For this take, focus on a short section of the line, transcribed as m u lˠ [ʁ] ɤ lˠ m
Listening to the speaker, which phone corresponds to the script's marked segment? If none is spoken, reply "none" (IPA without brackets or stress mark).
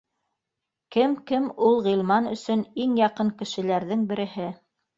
ʁ